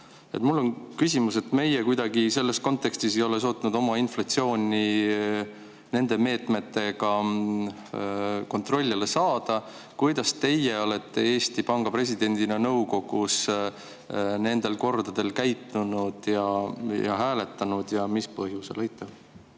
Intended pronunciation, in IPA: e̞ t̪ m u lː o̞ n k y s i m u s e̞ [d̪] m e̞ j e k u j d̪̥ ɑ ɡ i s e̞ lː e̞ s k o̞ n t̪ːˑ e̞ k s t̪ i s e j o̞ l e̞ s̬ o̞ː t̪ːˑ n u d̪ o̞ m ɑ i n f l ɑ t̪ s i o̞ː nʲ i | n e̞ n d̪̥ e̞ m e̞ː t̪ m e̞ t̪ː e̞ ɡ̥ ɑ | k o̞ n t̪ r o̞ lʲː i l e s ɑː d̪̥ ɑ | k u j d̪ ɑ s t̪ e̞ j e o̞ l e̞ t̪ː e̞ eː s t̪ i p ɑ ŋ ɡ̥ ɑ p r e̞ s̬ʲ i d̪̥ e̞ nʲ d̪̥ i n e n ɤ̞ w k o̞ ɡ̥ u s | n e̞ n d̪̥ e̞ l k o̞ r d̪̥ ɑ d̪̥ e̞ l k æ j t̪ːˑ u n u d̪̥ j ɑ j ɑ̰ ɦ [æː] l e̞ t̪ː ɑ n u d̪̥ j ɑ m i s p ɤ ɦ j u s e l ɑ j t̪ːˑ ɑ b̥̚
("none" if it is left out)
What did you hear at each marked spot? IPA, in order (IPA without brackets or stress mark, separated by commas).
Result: t̪, æː